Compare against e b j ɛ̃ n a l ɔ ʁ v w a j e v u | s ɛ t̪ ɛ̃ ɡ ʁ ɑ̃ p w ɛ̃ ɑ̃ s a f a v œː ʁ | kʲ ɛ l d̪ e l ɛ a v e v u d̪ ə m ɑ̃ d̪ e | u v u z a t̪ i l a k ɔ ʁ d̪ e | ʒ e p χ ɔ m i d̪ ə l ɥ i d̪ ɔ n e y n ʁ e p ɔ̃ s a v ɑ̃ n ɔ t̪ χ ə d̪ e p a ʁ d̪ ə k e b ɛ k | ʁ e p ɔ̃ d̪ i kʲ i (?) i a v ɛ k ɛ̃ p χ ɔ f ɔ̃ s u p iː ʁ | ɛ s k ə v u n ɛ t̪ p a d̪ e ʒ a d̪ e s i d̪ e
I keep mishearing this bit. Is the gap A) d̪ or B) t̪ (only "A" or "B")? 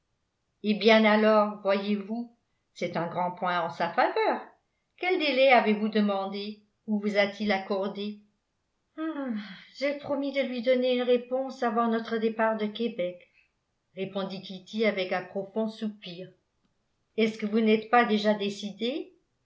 B